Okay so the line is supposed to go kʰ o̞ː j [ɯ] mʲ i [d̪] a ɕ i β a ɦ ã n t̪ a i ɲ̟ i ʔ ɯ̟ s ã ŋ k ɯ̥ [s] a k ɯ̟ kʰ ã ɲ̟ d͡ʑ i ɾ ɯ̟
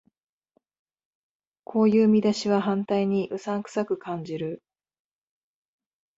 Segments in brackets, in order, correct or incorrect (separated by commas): incorrect, correct, correct